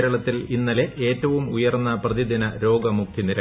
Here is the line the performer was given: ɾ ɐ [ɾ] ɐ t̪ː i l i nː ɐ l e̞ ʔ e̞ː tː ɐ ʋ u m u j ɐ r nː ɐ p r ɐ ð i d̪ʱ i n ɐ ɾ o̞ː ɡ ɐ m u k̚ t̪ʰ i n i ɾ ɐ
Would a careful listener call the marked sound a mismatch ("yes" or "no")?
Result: yes